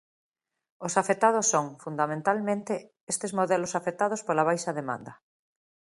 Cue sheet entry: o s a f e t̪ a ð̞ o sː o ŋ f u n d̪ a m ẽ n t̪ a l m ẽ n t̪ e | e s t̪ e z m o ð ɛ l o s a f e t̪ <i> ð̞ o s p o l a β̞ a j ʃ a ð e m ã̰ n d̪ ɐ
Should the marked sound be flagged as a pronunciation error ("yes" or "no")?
yes